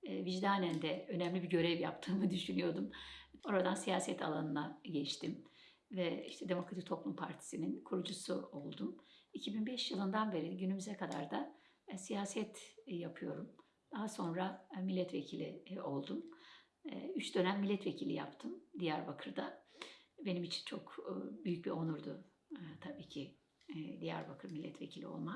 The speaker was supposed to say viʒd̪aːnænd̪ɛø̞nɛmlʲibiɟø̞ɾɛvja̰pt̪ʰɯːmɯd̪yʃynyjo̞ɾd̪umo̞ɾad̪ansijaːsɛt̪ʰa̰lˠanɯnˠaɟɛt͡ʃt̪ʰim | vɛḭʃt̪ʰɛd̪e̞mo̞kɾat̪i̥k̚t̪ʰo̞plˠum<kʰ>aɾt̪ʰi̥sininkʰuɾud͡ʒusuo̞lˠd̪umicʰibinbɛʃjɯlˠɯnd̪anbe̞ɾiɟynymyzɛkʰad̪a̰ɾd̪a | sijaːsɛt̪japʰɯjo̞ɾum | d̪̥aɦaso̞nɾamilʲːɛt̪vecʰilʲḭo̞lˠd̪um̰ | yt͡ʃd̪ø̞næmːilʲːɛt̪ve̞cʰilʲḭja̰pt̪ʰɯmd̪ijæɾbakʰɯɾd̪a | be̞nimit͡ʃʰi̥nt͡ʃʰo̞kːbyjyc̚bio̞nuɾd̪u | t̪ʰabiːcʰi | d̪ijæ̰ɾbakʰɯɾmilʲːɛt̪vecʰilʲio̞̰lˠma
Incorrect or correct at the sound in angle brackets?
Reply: incorrect: pʰ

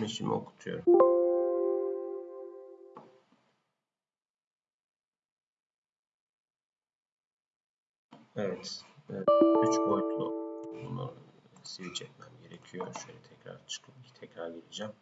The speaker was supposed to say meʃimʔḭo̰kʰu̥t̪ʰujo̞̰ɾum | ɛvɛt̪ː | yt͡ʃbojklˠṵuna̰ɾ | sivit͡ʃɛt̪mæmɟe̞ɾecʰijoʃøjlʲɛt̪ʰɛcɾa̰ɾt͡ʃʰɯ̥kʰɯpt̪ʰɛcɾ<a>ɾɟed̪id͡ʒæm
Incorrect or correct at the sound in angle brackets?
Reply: correct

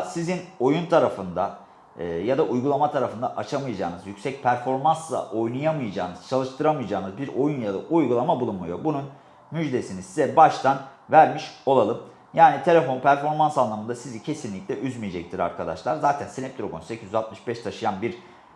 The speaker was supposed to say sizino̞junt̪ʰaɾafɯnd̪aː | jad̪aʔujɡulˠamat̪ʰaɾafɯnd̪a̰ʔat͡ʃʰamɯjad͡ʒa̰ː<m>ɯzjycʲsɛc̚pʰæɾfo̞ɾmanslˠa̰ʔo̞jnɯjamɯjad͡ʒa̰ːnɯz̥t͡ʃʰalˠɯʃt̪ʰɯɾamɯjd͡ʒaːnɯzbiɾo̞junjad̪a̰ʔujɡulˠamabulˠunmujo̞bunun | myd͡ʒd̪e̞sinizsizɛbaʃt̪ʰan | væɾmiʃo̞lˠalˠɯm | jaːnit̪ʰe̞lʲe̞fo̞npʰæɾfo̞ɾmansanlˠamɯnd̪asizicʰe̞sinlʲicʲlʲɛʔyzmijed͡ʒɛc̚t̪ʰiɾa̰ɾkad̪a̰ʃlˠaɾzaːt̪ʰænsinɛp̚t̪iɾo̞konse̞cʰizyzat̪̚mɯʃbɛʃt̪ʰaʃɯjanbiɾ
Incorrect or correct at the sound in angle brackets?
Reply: incorrect: n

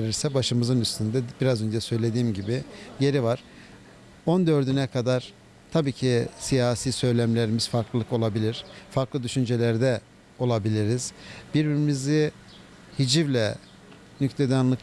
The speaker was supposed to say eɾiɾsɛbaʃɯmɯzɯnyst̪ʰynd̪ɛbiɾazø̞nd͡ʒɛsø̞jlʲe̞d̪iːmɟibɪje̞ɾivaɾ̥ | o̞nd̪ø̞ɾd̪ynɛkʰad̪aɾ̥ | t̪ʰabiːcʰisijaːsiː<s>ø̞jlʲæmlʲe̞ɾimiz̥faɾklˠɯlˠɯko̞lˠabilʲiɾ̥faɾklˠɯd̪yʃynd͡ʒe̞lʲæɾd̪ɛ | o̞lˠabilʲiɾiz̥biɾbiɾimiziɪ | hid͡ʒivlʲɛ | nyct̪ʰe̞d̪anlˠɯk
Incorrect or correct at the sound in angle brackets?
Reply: correct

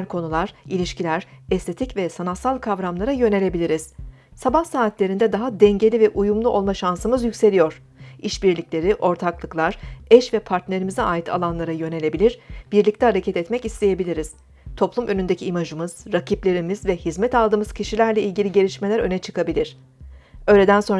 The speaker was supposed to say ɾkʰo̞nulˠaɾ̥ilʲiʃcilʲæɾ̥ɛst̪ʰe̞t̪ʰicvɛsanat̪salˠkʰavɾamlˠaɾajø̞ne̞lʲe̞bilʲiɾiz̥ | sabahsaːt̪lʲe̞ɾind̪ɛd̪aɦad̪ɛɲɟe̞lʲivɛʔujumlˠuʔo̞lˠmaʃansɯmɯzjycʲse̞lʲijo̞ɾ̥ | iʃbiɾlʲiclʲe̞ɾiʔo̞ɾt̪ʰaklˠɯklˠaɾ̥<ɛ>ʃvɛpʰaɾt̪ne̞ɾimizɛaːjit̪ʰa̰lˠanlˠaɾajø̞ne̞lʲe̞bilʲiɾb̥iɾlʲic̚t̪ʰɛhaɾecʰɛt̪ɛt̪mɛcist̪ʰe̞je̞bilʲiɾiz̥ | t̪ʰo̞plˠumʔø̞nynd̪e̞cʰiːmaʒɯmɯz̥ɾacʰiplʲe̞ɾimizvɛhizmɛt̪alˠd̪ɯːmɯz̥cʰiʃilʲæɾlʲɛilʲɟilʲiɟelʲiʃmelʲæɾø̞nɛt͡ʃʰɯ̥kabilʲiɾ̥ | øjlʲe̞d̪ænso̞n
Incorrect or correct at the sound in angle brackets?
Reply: correct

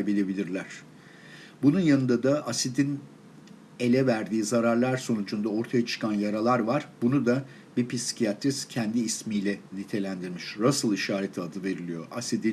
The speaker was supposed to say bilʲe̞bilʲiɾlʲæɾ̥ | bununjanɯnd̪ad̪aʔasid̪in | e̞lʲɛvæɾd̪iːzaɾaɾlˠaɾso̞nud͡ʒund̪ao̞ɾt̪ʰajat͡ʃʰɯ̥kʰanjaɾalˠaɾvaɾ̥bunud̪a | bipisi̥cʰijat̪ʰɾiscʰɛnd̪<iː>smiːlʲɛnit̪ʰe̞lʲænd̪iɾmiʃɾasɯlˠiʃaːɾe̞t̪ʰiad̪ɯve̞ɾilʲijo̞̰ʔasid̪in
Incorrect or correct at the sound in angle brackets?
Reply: correct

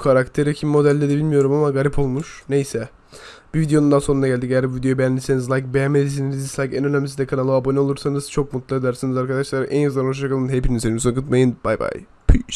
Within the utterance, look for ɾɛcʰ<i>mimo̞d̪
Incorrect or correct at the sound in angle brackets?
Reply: correct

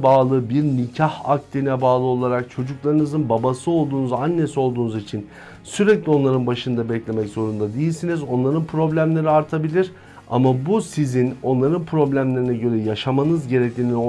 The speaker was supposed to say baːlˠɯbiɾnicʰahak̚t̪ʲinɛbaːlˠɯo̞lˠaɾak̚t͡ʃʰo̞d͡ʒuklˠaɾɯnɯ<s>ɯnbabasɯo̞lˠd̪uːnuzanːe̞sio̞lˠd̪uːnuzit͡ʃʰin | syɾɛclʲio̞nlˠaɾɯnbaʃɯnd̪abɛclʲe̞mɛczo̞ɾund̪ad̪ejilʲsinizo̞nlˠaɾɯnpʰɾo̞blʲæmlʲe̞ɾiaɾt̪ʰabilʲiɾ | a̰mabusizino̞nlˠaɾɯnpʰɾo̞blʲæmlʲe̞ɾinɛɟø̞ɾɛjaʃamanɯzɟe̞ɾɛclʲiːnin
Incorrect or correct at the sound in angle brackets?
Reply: incorrect: z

